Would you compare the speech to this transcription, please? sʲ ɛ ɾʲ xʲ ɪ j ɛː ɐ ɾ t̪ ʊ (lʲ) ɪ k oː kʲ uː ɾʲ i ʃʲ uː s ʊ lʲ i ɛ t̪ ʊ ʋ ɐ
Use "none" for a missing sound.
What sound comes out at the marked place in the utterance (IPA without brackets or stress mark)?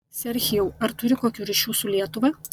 ɾʲ